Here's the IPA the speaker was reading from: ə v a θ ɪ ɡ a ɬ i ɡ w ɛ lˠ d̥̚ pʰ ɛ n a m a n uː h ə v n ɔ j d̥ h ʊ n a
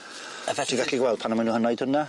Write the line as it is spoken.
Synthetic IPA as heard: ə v ɛ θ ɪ ɡ a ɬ i ɡ w ɛ lˠ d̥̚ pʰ a n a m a n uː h ə n ɔ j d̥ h ʊ n a